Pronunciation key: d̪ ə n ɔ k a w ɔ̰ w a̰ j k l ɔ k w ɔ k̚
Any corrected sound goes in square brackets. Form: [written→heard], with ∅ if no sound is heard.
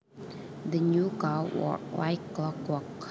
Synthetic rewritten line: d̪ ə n [ɔ→u] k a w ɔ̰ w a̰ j k l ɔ k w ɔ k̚